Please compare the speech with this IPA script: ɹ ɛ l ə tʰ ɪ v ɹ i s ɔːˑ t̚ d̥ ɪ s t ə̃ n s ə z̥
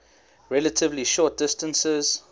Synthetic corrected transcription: ɹ ɛ l ə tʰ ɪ v l i ʃ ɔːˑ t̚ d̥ ɪ s t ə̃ n s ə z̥